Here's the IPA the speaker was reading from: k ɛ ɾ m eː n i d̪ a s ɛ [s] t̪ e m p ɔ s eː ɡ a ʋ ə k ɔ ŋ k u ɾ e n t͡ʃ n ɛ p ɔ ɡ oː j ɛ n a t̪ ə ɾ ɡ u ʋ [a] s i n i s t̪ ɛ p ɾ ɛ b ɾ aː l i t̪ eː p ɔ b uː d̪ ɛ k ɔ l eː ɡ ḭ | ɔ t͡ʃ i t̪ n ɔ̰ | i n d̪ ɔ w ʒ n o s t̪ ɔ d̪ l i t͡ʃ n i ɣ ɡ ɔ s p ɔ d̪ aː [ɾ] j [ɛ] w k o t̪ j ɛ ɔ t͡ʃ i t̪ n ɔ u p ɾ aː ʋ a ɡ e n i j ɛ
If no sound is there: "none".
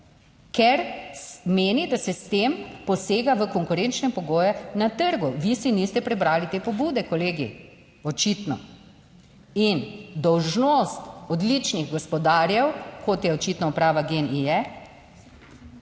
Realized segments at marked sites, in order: s, i, ɾ, ɛ

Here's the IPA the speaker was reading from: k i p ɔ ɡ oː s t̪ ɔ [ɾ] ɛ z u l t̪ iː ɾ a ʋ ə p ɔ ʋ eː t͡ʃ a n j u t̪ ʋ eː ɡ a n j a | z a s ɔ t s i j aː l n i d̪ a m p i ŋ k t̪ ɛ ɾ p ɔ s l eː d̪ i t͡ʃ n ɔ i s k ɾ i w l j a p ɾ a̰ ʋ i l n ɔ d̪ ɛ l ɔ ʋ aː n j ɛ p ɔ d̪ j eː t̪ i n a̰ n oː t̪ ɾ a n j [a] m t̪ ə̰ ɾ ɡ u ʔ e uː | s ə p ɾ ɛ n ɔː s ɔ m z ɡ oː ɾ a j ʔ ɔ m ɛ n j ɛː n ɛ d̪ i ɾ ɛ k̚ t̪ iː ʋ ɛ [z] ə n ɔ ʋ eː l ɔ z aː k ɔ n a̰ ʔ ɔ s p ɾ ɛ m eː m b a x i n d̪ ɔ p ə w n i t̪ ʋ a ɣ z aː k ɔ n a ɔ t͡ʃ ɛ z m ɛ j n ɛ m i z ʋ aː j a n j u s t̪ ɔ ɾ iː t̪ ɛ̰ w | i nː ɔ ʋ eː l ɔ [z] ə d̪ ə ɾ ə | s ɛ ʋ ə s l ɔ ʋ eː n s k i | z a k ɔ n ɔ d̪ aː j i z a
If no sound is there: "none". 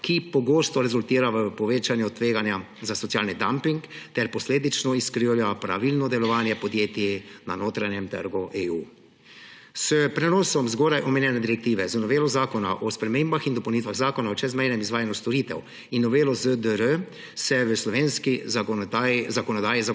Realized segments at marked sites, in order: ɾ, ɛ, z, z

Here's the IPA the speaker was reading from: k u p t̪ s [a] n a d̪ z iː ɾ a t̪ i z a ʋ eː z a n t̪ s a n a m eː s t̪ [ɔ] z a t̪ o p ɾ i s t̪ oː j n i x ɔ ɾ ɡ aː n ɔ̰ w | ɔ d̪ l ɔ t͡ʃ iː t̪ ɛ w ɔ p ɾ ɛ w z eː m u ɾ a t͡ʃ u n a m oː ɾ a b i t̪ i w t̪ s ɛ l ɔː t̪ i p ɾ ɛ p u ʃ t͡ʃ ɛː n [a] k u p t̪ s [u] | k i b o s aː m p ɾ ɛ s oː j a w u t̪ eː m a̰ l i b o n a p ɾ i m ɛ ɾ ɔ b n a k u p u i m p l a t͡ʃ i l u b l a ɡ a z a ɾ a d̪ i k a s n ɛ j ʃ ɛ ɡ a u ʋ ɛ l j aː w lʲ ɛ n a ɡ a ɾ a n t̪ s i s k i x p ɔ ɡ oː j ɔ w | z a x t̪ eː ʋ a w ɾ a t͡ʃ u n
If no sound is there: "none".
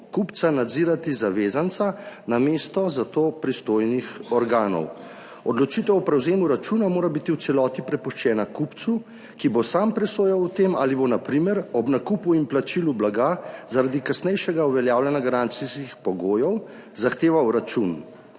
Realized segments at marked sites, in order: a, ɔ, a, u

